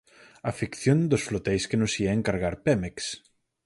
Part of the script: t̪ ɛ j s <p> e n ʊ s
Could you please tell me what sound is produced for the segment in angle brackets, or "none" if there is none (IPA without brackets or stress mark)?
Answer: k